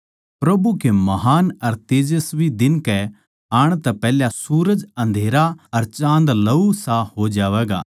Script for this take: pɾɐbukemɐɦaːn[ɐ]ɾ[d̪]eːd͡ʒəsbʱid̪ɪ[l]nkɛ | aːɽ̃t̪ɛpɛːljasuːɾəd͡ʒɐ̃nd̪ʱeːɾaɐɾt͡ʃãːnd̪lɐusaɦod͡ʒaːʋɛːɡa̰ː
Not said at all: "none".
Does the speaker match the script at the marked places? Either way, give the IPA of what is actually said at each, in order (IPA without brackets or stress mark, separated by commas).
ɐ, t̪, none